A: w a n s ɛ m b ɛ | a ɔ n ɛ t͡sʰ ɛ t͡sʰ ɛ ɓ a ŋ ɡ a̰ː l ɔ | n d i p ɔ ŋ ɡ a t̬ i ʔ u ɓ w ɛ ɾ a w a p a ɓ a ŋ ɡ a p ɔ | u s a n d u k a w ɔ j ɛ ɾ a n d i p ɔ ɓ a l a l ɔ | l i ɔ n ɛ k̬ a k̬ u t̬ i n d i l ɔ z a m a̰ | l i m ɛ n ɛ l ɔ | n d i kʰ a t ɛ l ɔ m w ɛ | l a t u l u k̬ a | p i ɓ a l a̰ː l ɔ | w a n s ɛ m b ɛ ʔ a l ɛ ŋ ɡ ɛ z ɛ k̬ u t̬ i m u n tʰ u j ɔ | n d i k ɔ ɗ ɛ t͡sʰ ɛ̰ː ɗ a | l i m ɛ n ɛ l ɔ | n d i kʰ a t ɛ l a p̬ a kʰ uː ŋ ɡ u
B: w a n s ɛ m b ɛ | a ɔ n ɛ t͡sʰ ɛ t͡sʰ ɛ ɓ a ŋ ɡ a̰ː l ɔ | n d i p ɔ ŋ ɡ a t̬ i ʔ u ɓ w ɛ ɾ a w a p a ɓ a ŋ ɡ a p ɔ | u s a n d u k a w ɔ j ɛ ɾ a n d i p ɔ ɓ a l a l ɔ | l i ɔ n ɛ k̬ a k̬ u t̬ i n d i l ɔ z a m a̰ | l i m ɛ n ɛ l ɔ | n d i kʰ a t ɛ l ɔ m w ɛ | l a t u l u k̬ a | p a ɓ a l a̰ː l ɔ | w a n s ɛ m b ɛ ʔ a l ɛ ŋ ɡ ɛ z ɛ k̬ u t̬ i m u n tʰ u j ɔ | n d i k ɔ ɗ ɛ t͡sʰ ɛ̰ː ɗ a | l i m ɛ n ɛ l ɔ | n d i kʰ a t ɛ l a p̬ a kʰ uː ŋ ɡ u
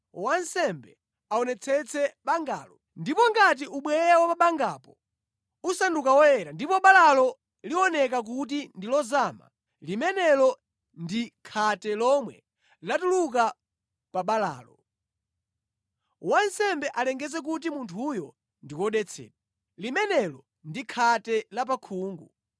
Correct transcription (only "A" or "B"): B